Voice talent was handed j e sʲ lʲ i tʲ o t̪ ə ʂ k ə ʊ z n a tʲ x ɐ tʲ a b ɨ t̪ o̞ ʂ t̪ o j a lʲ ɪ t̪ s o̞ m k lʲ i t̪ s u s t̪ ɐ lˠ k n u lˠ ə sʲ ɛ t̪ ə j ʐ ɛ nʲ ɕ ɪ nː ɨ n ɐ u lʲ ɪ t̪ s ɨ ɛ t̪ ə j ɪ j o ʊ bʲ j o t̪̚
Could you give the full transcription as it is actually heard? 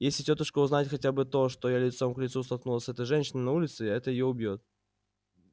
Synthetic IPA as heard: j e sʲ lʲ ɪ tʲ o t̪ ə ʂ k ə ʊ z n a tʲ x ɐ tʲ a b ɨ t̪ o̞ ʂ t̪ o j a lʲ ɪ t̪ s o̞ m k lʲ ɪ t̪ s u s t̪ ɐ lˠ k n u lˠ ə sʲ ɛ t̪ ə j ʐ ɛ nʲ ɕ ɪ n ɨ n ɐ u lʲ ɪ t̪ s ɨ ɛ t̪ ə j ɪ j o ʊ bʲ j o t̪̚